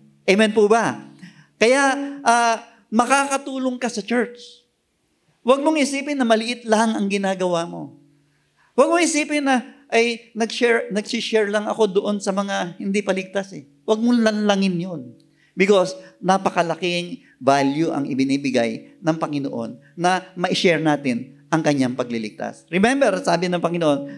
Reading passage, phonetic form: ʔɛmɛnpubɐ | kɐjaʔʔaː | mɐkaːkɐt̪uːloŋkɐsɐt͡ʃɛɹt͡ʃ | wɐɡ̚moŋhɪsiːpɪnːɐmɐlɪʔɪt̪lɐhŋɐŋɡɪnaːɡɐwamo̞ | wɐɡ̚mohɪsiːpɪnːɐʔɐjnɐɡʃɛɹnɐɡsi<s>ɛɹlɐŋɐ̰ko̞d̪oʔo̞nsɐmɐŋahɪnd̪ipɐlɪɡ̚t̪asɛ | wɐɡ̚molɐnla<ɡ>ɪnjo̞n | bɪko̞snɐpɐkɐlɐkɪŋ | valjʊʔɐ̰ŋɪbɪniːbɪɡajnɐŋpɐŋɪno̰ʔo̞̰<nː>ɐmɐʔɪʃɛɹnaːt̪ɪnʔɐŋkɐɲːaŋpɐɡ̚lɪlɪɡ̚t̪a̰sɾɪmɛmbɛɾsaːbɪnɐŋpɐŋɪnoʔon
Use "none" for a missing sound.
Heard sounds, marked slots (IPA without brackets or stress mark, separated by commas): ʃ, ŋ, nː